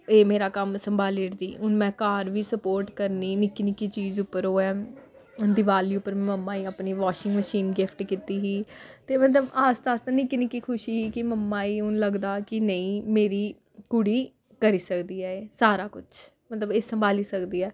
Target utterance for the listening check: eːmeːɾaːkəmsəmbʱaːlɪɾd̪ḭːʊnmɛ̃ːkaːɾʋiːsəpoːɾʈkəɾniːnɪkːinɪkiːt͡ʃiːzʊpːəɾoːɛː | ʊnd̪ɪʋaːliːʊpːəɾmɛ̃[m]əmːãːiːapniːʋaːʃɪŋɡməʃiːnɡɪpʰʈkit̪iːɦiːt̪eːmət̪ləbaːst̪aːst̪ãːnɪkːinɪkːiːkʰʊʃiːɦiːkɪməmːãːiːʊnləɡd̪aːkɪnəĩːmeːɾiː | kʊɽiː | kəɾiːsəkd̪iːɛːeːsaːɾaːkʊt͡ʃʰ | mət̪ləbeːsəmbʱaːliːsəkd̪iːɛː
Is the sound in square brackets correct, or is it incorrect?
correct